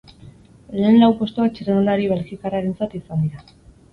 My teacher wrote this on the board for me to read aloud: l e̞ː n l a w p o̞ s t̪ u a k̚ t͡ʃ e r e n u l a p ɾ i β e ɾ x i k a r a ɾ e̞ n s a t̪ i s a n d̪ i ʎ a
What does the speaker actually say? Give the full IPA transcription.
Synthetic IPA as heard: l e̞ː n l a w p o̞ s t̪ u a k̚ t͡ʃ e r e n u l a ɾ i β e l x i k a r a ɾ e̞ n t͡s a t̪ i s a n d̪ i ɾ a